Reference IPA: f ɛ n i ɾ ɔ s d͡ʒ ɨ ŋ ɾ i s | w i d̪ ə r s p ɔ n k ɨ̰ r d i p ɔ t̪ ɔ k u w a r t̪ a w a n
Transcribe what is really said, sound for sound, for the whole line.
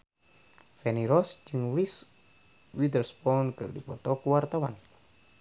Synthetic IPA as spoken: f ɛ n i ɾ ɔ s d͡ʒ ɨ ŋ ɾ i s | w i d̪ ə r s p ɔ n k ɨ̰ r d i p ɔ t̪ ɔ k u w a r t̪ a w a n